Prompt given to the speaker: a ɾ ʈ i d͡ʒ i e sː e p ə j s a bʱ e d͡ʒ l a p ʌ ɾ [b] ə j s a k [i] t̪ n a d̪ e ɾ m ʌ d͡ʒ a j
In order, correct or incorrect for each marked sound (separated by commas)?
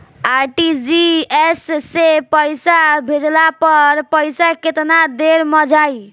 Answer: incorrect, incorrect